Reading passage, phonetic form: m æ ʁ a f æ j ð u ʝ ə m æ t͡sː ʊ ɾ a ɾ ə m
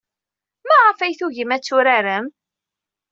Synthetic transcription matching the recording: m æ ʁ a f æ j θ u ʝ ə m æ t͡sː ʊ ɾ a ɾ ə m